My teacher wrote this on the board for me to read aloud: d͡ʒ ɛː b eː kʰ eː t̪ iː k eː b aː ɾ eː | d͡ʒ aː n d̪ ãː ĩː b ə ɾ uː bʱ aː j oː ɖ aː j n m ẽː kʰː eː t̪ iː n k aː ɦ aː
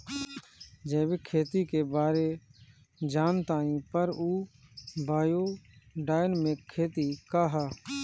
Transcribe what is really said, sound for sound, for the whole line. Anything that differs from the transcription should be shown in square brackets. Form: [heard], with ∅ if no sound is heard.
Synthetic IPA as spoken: d͡ʒ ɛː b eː kʰ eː t̪ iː k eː b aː ɾ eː | d͡ʒ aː n [t̪] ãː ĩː [p] ə ɾ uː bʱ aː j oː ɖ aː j n m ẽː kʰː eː t̪ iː [∅] k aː ɦ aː

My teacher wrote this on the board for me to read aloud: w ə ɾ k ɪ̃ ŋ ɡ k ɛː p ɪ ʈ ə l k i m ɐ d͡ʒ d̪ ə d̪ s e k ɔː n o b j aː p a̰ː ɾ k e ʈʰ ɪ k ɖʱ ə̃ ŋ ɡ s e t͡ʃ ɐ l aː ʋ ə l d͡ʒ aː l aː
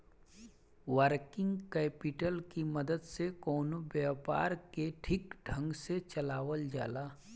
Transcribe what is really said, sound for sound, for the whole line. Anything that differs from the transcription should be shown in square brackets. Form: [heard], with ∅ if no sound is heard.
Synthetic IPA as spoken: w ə ɾ k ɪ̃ ŋ ɡ k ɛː p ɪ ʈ ə l k i m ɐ [∅] d̪ ə d̪ s e k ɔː n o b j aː p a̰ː ɾ k e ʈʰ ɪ k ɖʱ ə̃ ŋ ɡ s e t͡ʃ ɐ l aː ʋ ə l d͡ʒ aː l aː

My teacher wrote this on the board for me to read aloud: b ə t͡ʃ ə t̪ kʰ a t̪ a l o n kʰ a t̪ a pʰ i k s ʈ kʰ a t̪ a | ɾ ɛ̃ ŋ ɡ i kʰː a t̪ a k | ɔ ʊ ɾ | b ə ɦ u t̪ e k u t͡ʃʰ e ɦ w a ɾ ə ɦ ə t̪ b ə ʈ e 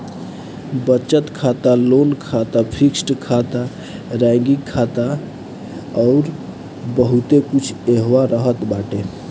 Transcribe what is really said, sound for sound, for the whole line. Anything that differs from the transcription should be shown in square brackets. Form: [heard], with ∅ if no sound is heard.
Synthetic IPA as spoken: b ə t͡ʃ ə t̪ kʰ a t̪ a l o n kʰ a t̪ a pʰ i k s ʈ kʰ a t̪ a | ɾ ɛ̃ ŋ ɡ i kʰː a t̪ a [∅] | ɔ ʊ ɾ | b ə ɦ u t̪ e k u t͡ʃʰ e ɦ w a ɾ ə ɦ ə t̪ b [a] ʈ e

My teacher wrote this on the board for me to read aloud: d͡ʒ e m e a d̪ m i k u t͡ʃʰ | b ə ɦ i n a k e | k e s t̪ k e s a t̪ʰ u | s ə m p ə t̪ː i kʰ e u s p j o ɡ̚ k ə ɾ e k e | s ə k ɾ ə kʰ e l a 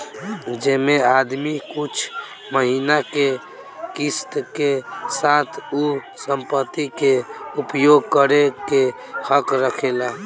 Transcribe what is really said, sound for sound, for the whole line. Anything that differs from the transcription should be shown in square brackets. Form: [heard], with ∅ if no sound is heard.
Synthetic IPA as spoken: d͡ʒ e m e a d̪ m i k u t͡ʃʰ | [m] ə ɦ i n a k e | k [i] s t̪ k e s a t̪ʰ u | s ə m p ə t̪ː i [k] e u [∅] p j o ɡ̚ k ə ɾ e k e | [h] ə k ɾ ə kʰ e l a

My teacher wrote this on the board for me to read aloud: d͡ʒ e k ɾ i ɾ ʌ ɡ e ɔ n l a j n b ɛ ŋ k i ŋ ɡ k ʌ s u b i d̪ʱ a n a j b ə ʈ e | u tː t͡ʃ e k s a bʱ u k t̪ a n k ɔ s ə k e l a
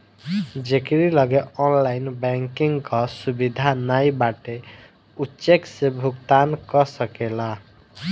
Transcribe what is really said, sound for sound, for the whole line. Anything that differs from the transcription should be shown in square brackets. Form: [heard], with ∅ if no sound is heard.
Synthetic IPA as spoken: d͡ʒ e k ɾ i [l] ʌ ɡ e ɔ n l a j n b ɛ ŋ k i ŋ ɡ k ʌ s u b i d̪ʱ a n a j b [a] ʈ e | u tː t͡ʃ e k s [e] bʱ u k t̪ a n k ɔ s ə k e l a

